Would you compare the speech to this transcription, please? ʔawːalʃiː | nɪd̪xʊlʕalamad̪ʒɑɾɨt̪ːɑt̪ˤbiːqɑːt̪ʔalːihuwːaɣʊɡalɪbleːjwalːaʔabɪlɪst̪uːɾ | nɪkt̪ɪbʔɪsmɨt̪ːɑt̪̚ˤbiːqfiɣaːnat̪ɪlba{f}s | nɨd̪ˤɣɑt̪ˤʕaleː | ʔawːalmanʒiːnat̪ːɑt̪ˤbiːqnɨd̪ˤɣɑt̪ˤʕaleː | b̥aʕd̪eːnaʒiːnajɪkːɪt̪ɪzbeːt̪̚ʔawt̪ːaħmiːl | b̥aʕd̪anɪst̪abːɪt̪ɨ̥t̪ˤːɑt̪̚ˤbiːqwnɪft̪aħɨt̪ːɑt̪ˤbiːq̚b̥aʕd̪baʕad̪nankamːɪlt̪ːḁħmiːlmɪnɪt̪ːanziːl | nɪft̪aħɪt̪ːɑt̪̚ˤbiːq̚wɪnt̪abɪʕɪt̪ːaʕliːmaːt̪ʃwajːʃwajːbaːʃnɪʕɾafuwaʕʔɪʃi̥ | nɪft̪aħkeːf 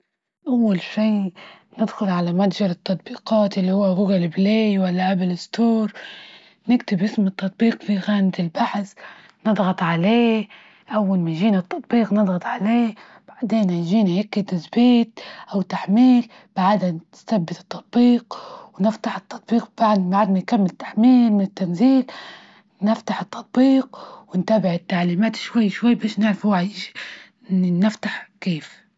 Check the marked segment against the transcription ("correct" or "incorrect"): incorrect